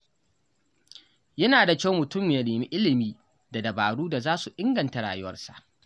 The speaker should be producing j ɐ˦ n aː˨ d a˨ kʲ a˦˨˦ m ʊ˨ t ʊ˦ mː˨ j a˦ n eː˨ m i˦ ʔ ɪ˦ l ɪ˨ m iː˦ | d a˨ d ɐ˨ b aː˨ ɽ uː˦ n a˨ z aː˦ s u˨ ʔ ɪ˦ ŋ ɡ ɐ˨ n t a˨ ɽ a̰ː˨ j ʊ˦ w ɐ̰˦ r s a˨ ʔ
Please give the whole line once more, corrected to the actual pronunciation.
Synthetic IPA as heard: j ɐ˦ n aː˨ d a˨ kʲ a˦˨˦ m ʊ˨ t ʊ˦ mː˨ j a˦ n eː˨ m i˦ ʔ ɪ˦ l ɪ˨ m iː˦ | d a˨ d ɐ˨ b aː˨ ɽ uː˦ d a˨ z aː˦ s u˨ ʔ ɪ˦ ŋ ɡ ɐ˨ n t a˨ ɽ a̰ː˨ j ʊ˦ w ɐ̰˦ r s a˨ ʔ